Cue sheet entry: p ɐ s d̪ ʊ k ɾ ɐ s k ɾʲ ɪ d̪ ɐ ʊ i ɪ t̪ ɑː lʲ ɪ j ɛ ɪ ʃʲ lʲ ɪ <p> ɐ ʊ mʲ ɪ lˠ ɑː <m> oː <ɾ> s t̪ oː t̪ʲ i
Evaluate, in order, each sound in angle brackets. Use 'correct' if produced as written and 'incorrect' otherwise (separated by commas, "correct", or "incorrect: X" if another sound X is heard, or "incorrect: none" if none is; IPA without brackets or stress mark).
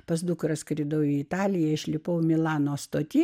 correct, incorrect: n, incorrect: none